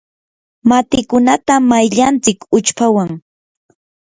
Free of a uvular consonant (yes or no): yes